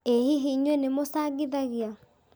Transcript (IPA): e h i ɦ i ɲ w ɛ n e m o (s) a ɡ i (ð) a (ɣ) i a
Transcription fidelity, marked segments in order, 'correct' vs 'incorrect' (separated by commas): correct, correct, correct